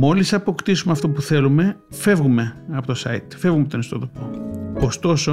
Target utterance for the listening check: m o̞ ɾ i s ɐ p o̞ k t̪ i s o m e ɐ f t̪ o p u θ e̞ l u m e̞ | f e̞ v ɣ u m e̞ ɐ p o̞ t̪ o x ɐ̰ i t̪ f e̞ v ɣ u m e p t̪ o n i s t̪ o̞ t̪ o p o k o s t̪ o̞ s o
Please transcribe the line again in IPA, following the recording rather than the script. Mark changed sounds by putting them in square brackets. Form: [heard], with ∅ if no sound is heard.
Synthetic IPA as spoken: m o̞ [l] i s ɐ p o̞ k t̪ i s [u] m e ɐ f t̪ o p u θ e̞ l u m e̞ | f e̞ v ɣ u m e̞ ɐ p o̞ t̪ o [s] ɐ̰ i t̪ f e̞ v ɣ u m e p t̪ o n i s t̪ o̞ t̪ o p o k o s t̪ o̞ s o